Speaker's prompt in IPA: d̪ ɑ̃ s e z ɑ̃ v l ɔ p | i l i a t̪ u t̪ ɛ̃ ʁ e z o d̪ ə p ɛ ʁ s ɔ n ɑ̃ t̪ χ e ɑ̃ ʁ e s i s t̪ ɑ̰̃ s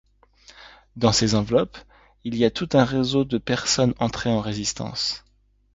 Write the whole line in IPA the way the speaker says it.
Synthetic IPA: d̪ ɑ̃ s e z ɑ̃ v l ɔ p | i l i a t̪ u t̪ ɛ̃ ʁ e z o d̪ ə p ɛ ʁ s ɔ n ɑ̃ t̪ χ e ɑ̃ ʁ e z i s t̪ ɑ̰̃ s